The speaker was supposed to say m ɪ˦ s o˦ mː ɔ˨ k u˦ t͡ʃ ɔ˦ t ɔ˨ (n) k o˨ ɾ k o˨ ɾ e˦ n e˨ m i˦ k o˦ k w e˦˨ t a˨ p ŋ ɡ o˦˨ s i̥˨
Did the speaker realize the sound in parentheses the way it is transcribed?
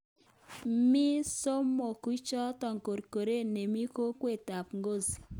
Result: no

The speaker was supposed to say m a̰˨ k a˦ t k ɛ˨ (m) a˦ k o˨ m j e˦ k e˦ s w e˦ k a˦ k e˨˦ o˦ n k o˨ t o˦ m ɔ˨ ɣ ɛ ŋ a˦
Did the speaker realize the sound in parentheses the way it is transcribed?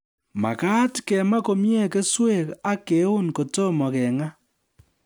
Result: yes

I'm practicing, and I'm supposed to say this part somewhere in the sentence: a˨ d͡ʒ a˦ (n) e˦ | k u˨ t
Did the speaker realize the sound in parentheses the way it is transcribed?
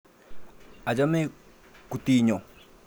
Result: no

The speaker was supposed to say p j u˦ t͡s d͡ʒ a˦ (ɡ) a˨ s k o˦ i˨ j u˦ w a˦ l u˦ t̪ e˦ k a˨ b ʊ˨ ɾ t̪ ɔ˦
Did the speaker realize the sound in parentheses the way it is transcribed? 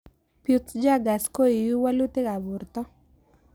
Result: yes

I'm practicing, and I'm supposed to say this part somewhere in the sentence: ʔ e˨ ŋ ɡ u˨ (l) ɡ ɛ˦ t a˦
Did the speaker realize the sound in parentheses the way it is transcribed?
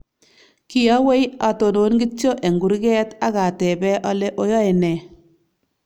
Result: no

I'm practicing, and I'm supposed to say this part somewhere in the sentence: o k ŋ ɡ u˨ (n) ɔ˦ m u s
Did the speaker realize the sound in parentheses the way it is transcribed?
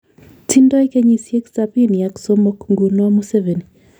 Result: yes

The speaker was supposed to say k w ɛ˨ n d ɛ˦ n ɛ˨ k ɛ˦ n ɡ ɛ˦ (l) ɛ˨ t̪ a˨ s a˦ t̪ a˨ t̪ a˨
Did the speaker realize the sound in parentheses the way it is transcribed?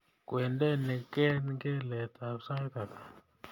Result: yes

